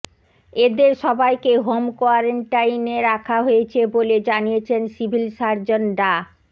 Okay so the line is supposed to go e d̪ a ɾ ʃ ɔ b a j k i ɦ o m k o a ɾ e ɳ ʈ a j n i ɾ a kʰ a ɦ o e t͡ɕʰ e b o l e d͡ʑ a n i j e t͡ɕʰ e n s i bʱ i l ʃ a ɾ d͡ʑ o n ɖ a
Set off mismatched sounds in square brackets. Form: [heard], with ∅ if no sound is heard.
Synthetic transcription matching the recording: e d̪ [e] ɾ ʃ ɔ b a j k [e] ɦ o m k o a ɾ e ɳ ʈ a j n [e] ɾ a kʰ a ɦ o e t͡ɕʰ e b o l e d͡ʑ a n i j e t͡ɕʰ e n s i bʱ i l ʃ a ɾ d͡ʑ o n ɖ a

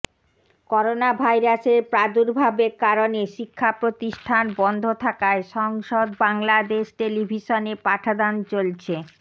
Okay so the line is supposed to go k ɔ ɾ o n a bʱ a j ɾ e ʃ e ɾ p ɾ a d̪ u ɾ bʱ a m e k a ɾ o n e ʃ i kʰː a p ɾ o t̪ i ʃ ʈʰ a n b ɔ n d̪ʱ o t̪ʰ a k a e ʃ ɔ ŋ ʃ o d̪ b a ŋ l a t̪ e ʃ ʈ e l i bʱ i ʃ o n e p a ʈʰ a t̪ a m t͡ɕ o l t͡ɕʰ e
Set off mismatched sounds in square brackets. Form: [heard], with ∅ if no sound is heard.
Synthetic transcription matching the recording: k ɔ ɾ o n a bʱ a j ɾ [a] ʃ e ɾ p ɾ a d̪ u ɾ bʱ a [b] e k a ɾ o n e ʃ i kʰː a p ɾ o t̪ i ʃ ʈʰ a n b ɔ n d̪ʱ o t̪ʰ a k a e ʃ ɔ ŋ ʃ o d̪ b a ŋ l a [d̪] e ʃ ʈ e l i bʱ i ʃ o n e p a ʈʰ a [d̪] a [n] t͡ɕ o l t͡ɕʰ e

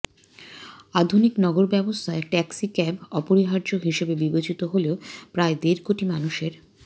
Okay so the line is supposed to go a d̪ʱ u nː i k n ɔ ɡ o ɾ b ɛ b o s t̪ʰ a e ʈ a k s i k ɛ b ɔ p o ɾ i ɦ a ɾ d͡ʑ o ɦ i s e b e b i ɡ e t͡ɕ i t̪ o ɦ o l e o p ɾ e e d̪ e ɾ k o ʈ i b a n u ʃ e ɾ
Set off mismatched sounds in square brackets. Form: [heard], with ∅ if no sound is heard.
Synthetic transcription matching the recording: a d̪ʱ u [n] i k n ɔ ɡ o ɾ b ɛ b o s t̪ʰ a e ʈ [ɛ] k s i k ɛ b ɔ p o ɾ i ɦ a ɾ d͡ʑ o ɦ i [ʃ] e b e b i [b] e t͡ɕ i t̪ o ɦ o l e o p ɾ [a] e d̪ e ɾ k o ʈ i [m] a n u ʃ e ɾ

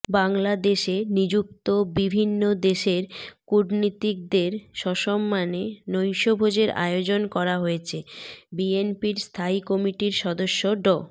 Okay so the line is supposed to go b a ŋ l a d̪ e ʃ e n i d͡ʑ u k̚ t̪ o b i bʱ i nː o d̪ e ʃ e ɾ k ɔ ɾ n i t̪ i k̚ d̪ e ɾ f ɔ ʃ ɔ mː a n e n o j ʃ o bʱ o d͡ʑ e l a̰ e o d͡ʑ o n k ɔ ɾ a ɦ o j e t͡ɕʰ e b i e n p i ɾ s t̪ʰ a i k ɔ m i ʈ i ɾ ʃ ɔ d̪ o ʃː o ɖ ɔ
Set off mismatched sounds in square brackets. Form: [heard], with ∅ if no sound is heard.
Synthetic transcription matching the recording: b a ŋ l a d̪ e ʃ e n i d͡ʑ u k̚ t̪ o b i bʱ i nː o d̪ e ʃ e ɾ k [u] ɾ n i t̪ i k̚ d̪ e ɾ [ʃ] ɔ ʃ ɔ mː a n e n o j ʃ o bʱ o d͡ʑ e [ɾ] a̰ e o d͡ʑ o n k ɔ ɾ a ɦ o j e t͡ɕʰ e b i e n p i ɾ s t̪ʰ a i k ɔ m i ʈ i ɾ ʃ ɔ d̪ o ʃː o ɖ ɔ

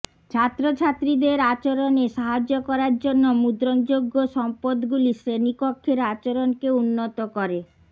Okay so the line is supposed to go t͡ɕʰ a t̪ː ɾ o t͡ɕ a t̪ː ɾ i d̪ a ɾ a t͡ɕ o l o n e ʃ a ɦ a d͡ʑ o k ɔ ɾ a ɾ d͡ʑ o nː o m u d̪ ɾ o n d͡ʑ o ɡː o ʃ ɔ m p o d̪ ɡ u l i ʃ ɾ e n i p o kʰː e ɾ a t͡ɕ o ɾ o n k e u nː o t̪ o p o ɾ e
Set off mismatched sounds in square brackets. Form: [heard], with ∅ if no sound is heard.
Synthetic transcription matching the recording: t͡ɕʰ a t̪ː ɾ o [t͡ɕʰ] a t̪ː ɾ i d̪ [e] ɾ a t͡ɕ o [ɾ] o n e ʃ a ɦ a d͡ʑ o k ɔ ɾ a ɾ d͡ʑ o nː o m u d̪ ɾ o n d͡ʑ o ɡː o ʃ ɔ m p o d̪ ɡ u l i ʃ ɾ e n i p o kʰː e ɾ a t͡ɕ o ɾ o n k e u nː o t̪ o [k] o ɾ e

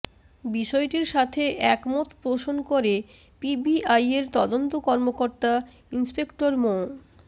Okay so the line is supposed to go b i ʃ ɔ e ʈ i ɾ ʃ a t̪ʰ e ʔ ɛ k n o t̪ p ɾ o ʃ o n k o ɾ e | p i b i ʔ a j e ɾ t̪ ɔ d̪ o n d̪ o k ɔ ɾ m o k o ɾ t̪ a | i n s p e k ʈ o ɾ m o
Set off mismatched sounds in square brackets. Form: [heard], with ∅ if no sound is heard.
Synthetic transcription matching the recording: b i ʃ ɔ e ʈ i ɾ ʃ a t̪ʰ e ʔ ɛ k [m] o t̪ p ɾ o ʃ o n k o ɾ e | p i b i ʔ a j e ɾ t̪ ɔ d̪ o n [t̪] o k ɔ ɾ m o k o ɾ t̪ a | i n s p e k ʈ o ɾ m o

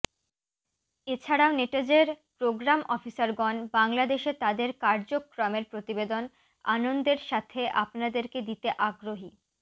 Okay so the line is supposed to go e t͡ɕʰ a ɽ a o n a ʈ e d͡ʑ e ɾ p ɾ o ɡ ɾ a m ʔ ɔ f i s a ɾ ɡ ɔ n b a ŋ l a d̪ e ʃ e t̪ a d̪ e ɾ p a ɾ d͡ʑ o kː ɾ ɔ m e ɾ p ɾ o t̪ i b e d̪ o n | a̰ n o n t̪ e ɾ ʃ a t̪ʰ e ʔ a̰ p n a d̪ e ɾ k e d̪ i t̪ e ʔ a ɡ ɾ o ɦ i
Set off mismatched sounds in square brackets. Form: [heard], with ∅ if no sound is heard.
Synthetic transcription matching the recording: e t͡ɕʰ a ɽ a o n [e] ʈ e d͡ʑ e ɾ p ɾ o ɡ ɾ a m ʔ ɔ f i s a ɾ ɡ ɔ n b a ŋ l a d̪ e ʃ e t̪ a d̪ e ɾ [k] a ɾ d͡ʑ o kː ɾ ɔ m e ɾ p ɾ o t̪ i b e d̪ o n | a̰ n o n [d̪] e ɾ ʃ a t̪ʰ e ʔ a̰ p n a d̪ e ɾ k e d̪ i t̪ e ʔ a ɡ ɾ o ɦ i

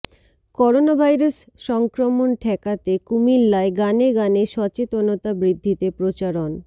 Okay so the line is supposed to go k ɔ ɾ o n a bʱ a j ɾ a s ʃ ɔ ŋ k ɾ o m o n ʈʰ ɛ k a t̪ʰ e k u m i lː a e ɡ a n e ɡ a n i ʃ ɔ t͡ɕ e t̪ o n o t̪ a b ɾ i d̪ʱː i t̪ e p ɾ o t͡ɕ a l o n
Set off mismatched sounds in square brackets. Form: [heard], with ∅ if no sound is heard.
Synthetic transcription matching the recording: k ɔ ɾ o n a bʱ a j ɾ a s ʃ ɔ ŋ k ɾ o m o n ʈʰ ɛ k a [t̪] e k u m i lː a e ɡ a n e ɡ a n [e] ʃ ɔ t͡ɕ e t̪ o n o t̪ a b ɾ i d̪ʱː i t̪ e p ɾ o t͡ɕ a [ɾ] o n

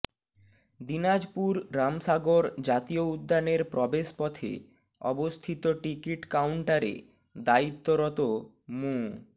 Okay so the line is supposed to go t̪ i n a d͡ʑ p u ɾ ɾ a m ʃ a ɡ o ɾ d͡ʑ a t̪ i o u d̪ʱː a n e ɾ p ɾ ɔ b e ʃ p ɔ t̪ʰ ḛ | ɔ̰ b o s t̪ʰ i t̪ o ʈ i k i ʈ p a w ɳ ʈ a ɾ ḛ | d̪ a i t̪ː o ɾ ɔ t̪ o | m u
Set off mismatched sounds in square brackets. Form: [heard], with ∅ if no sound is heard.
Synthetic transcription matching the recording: [d̪] i n a d͡ʑ p u ɾ ɾ a m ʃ a ɡ o ɾ d͡ʑ a t̪ i o u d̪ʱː a n e ɾ p ɾ ɔ b e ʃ p ɔ t̪ʰ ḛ | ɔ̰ b o s t̪ʰ i t̪ o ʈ i k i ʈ [k] a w ɳ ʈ a ɾ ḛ | d̪ a i t̪ː o ɾ ɔ t̪ o | m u

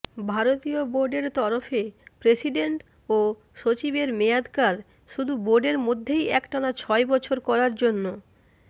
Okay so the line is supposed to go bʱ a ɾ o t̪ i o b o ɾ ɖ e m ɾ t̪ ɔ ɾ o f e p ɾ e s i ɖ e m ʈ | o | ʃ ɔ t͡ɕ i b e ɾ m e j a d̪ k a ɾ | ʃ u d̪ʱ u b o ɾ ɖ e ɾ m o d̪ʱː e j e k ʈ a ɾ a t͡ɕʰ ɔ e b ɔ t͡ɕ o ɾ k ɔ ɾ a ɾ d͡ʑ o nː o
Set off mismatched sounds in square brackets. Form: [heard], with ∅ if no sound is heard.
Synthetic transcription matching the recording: bʱ a ɾ o t̪ i o b o ɾ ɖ e [∅] ɾ t̪ ɔ ɾ o f e p ɾ e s i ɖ e [ɳ] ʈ | o | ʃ [o] t͡ɕ i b e ɾ m e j a d̪ k a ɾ | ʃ u d̪ʱ u b o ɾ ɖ e ɾ m o d̪ʱː e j [ɛ] k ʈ a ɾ a t͡ɕʰ ɔ e b ɔ [t͡ɕʰ] o ɾ k ɔ ɾ a ɾ d͡ʑ o nː o

